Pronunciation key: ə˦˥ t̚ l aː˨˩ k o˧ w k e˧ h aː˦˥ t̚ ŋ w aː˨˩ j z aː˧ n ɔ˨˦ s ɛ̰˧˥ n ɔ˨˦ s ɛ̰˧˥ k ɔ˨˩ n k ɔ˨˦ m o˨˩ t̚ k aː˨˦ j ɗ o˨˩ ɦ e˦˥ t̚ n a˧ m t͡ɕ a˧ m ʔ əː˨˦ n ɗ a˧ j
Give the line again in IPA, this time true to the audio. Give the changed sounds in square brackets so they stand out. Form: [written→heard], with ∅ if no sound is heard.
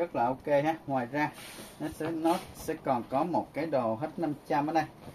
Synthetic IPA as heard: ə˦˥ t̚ l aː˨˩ [k→ʔ] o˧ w k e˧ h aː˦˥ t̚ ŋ w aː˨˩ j z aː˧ n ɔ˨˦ s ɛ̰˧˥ n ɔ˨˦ s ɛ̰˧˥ k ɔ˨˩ n k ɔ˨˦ m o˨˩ t̚ k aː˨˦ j ɗ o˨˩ ɦ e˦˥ t̚ n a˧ m t͡ɕ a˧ m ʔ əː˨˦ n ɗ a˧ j